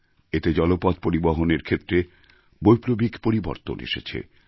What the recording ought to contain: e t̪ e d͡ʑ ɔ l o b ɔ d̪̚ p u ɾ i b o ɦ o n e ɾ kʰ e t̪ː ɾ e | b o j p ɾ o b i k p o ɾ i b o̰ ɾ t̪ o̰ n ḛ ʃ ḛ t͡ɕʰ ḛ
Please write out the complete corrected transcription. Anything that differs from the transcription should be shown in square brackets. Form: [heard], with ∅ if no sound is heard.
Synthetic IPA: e t̪ e d͡ʑ ɔ l o [p] ɔ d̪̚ p [o] ɾ i b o ɦ o n e ɾ kʰ e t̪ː ɾ e | b o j p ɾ o b i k p o ɾ i b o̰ ɾ t̪ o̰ n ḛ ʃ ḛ t͡ɕʰ ḛ